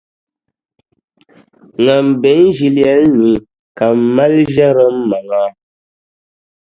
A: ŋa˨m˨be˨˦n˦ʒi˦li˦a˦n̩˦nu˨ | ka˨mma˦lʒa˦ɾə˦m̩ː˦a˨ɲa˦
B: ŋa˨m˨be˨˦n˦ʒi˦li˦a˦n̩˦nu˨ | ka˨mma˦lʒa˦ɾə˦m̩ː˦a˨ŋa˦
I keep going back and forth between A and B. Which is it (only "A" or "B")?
B